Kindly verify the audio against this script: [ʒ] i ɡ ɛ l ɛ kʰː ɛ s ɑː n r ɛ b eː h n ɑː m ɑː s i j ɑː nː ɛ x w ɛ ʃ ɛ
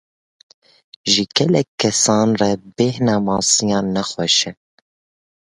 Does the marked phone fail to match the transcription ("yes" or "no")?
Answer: no